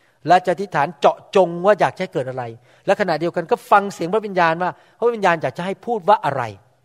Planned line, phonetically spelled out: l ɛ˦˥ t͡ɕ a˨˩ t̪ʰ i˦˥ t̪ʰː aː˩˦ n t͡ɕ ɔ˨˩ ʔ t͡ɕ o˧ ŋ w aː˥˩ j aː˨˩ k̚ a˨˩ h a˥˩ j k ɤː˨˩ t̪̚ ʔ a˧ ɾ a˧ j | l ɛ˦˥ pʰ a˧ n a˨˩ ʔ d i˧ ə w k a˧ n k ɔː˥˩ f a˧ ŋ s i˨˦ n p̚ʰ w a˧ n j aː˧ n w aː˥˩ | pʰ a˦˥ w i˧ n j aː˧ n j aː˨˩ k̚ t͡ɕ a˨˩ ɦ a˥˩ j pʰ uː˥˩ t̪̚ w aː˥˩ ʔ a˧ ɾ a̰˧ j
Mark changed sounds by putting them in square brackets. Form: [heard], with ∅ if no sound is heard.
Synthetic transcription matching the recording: l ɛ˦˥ t͡ɕ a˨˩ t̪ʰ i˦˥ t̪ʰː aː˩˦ n t͡ɕ ɔ˨˩ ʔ t͡ɕ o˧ ŋ w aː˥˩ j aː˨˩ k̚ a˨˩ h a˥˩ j k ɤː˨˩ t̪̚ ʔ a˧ ɾ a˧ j | l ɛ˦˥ [kʰ] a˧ n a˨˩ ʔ d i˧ ə w k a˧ n k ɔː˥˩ f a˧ ŋ s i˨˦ [ŋ] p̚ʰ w [i˧] n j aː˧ n w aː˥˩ | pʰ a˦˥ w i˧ n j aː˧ n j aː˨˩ k̚ t͡ɕ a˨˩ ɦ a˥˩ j pʰ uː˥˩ t̪̚ w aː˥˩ ʔ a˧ ɾ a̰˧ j